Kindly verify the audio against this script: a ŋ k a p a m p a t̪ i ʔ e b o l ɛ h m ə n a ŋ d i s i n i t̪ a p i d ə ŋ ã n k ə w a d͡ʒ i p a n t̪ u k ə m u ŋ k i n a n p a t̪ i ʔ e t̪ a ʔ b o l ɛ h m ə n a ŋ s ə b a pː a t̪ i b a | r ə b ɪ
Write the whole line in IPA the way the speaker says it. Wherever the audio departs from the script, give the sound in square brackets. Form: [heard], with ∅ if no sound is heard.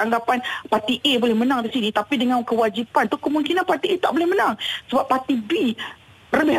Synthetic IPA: a ŋ [ɡ] a p a [n] p a t̪ i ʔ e b o l ɛ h m ə n a ŋ d i s i n i t̪ a p i d ə ŋ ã n k ə w a d͡ʒ i p a n t̪ u k ə m u ŋ k i n a n p a t̪ i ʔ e t̪ a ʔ b o l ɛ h m ə n a ŋ s ə b a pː a t̪ i b [i] | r ə b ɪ